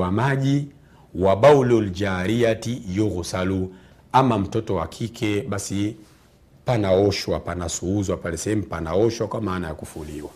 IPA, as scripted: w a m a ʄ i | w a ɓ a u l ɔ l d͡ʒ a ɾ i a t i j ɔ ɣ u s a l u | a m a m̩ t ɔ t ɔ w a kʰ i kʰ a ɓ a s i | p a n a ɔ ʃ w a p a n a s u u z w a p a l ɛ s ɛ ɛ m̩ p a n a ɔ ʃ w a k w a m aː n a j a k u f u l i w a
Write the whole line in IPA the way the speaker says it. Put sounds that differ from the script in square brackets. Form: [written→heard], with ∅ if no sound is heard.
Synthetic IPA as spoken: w a m a ʄ i | w a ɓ a u l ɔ l d͡ʒ a ɾ i a t i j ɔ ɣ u s a l u | a m a m̩ t ɔ t ɔ w a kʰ i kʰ [a→ɛ] ɓ a s i | p a n a ɔ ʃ w a p a n a s u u z w a p a l ɛ s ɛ ɛ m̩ p a n a ɔ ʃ w a k w a m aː n a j a k u f u l i w a